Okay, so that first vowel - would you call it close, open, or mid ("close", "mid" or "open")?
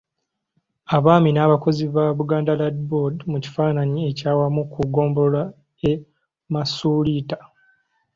open